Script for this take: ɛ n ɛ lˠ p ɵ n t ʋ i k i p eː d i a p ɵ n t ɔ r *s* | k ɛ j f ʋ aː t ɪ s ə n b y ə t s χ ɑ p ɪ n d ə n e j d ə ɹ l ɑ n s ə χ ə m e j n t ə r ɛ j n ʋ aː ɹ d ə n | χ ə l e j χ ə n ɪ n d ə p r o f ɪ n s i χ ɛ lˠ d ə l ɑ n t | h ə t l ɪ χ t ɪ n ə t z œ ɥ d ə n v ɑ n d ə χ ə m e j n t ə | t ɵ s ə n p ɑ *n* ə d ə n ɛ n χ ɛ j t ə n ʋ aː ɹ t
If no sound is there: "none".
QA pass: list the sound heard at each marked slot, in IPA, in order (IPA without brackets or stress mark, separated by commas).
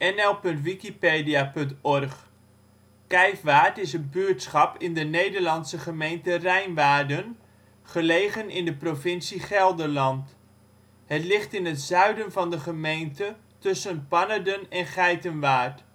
χ, n